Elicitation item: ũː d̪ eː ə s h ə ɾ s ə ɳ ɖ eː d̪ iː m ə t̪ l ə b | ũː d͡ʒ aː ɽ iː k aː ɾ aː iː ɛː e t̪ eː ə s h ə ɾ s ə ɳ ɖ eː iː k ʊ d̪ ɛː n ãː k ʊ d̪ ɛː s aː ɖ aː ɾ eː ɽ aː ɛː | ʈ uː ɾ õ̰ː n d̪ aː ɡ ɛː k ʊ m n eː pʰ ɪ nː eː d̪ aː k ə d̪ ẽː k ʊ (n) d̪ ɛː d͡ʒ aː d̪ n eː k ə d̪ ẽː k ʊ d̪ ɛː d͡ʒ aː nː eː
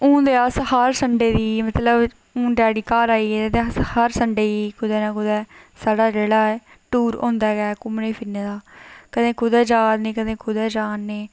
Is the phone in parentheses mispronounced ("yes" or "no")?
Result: yes